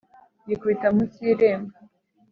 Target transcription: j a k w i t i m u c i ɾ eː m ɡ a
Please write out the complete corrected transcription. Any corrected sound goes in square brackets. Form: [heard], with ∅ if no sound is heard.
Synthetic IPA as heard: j [i] k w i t [a] m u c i ɾ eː m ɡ a

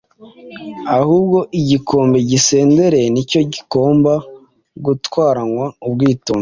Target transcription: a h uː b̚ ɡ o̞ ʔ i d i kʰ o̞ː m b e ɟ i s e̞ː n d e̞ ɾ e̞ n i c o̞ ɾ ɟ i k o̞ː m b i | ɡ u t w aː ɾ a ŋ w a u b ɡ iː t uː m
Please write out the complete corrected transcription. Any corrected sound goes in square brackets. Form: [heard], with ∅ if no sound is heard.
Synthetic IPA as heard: a h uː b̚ ɡ o̞ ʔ i [ɟ] i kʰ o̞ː m b e ɟ i s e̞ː n d e̞ ɾ e̞ n i c o̞ [∅] ɟ i k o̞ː m b [a] | ɡ u t w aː ɾ a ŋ w a u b ɡ iː t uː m

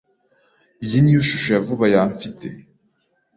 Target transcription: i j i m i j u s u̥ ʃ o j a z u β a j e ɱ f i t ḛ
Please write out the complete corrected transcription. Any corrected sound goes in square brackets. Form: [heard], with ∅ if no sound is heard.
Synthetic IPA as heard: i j i [n] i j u [ʃ] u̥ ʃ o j a [v] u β a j [a] ɱ f i t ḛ

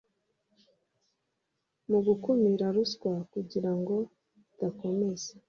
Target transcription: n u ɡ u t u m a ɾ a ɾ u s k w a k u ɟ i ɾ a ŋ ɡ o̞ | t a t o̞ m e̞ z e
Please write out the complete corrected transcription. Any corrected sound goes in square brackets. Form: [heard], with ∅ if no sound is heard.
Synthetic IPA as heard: [m] u ɡ u [k] u m [i] ɾ a ɾ u s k w a k u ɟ i ɾ a ŋ ɡ o̞ | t a [k] o̞ m e̞ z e

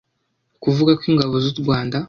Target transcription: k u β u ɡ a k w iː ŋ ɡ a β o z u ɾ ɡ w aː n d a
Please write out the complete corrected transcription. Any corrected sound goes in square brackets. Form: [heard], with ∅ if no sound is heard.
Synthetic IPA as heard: k u [v] u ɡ a k w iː ŋ ɡ a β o z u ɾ ɡ w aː n d a

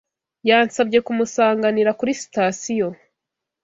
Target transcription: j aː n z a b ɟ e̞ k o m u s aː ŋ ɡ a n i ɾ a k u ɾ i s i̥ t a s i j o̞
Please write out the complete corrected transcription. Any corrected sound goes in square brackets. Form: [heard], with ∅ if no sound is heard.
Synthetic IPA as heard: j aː n [s] a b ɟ e̞ k [u] m u s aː ŋ ɡ a n i ɾ a k u ɾ i s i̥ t a s i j o̞

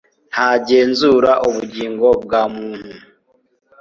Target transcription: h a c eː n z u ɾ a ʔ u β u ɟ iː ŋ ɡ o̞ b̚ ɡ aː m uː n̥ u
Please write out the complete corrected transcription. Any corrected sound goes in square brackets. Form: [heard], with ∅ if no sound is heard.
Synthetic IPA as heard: h a [ɟ] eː n z u ɾ a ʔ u β u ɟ iː ŋ ɡ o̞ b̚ ɡ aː m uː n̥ u

